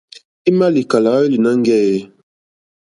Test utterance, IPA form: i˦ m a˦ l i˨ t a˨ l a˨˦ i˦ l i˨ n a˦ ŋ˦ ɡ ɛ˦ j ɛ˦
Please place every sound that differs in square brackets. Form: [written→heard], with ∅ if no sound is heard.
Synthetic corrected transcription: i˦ m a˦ l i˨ [t→k] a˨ l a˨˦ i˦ l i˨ n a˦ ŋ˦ ɡ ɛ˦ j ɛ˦